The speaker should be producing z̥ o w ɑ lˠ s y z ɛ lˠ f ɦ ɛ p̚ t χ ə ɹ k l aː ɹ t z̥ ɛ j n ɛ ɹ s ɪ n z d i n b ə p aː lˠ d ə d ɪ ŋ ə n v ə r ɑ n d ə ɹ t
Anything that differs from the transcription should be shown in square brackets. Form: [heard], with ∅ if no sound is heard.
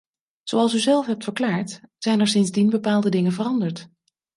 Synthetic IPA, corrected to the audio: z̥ o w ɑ lˠ s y z ɛ lˠ f ɦ ɛ p̚ t [f] ə ɹ k l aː ɹ t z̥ ɛ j n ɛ ɹ s ɪ n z d i n b ə p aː lˠ d ə d ɪ ŋ ə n v ə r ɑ n d ə ɹ t